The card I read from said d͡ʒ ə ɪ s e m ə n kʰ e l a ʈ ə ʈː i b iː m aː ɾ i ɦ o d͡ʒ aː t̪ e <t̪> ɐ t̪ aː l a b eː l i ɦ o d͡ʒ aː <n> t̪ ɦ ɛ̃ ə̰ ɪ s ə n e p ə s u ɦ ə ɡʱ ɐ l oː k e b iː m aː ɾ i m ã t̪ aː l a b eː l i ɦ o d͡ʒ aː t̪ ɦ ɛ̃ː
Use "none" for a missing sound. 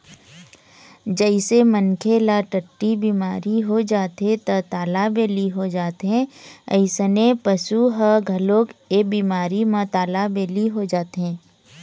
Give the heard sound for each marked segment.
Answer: t̪, none

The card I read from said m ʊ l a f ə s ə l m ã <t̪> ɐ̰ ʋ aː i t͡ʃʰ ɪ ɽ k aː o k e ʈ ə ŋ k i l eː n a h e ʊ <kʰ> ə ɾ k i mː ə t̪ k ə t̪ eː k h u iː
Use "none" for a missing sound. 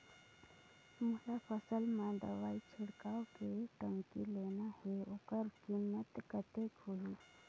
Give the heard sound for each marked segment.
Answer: d̪, k

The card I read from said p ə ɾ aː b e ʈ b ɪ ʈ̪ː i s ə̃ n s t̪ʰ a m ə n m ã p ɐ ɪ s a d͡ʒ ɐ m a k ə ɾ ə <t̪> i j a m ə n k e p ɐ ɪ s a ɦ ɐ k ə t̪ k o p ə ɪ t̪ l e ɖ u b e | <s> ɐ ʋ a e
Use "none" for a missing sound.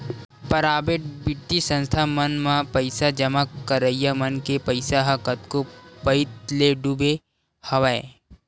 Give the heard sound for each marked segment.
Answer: none, h

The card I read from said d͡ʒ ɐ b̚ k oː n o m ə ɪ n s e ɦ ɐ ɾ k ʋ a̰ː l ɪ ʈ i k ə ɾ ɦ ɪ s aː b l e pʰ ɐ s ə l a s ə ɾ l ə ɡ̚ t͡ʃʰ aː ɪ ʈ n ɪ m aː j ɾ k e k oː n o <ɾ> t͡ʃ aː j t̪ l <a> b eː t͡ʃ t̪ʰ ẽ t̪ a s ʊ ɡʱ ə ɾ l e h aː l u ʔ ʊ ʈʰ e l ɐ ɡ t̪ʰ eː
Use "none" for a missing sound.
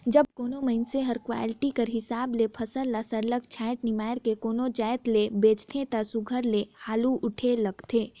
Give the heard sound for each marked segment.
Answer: none, e

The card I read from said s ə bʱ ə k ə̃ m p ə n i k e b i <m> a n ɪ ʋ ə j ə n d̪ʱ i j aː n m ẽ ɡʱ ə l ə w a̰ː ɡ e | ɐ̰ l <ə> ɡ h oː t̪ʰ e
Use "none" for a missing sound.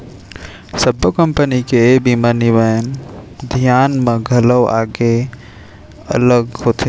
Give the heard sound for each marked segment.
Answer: m, ə

